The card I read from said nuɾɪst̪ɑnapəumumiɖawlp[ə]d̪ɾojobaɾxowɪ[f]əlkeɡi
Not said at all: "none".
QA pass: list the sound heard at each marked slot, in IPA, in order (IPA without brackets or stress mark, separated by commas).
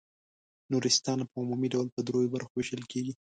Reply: ə, ʃ